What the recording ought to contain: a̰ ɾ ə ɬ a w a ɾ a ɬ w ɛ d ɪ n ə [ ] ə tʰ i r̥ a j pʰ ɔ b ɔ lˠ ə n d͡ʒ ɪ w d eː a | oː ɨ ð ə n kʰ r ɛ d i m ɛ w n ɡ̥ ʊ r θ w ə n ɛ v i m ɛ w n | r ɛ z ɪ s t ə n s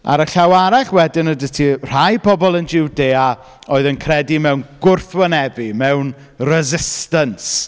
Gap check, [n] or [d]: d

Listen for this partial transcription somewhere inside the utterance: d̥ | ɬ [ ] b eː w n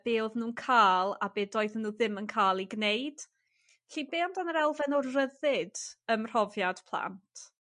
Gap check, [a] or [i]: i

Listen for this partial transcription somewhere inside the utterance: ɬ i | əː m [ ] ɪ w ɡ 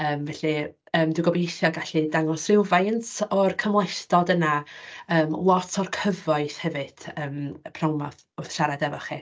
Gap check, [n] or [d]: d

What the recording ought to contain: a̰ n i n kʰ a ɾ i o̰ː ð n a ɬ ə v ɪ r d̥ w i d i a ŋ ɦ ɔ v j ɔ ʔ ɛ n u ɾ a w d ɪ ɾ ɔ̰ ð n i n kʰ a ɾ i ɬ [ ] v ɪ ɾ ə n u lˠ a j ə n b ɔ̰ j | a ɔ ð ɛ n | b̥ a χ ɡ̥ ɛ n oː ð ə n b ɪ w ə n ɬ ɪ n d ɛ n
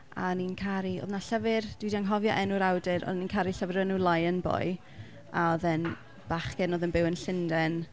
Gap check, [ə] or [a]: ə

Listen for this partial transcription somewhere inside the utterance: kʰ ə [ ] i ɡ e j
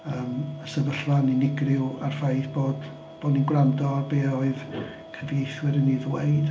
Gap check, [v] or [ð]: v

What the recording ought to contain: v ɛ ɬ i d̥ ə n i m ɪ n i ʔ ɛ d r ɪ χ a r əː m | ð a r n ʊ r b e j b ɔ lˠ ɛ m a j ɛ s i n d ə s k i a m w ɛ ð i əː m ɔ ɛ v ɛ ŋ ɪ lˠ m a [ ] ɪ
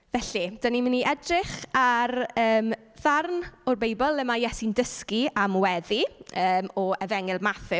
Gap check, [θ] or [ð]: θ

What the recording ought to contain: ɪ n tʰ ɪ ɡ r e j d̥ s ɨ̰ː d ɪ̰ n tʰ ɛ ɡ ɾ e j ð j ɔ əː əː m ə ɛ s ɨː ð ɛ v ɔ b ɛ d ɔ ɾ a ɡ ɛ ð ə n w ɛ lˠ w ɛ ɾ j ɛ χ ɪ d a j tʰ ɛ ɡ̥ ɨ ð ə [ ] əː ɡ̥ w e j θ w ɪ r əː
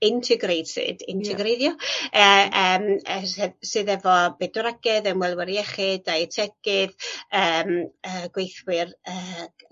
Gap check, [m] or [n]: m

